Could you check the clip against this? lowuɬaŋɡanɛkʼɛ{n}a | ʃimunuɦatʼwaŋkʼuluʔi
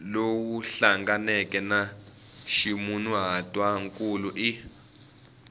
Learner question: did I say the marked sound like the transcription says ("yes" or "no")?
yes